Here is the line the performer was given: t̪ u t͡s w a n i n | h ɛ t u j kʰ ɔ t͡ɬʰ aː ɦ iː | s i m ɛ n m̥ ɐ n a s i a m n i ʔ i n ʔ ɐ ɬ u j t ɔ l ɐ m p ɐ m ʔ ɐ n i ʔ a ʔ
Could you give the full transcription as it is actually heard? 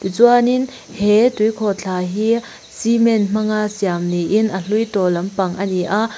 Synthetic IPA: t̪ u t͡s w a n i n | h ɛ t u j kʰ ɔ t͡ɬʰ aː ɦ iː | s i m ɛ n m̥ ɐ ŋ a s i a m n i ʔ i n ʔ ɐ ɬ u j t ɔ l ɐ m p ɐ ŋ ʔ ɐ n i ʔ a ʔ